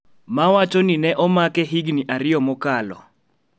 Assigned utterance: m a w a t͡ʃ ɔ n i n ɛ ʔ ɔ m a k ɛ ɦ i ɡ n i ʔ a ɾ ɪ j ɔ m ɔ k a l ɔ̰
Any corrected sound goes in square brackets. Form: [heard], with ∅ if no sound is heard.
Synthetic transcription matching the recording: m a w a t͡ʃ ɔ n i n ɛ ʔ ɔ m a k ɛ ɦ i ɡ n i ʔ a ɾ ɪ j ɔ m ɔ k a l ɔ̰